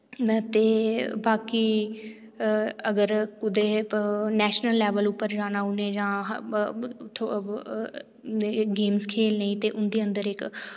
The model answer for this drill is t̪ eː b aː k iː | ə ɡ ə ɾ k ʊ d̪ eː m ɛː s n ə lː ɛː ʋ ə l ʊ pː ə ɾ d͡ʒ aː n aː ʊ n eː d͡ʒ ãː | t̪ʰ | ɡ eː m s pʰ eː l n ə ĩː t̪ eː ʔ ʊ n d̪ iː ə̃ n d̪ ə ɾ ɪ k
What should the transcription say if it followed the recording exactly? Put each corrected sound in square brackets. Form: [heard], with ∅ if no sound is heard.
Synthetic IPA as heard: t̪ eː b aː k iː | ə ɡ ə ɾ k ʊ d̪ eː [n] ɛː [ʃ] n ə lː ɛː ʋ ə l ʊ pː ə ɾ d͡ʒ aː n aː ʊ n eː d͡ʒ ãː | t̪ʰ | ɡ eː m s [kʰ] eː l n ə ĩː t̪ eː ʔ ʊ n d̪ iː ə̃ n d̪ ə ɾ ɪ k